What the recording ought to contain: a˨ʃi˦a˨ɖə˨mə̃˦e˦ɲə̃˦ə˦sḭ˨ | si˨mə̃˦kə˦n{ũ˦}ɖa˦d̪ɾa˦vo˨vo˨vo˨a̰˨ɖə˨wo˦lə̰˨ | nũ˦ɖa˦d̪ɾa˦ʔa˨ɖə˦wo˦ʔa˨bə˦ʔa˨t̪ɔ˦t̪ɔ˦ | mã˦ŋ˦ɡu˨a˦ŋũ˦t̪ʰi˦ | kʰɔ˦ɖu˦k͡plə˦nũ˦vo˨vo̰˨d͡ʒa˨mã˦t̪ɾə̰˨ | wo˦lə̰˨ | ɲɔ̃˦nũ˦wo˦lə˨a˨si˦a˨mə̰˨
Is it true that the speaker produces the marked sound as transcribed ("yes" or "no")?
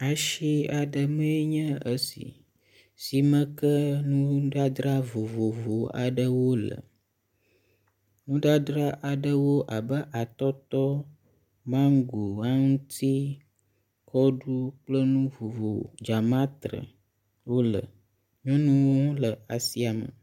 yes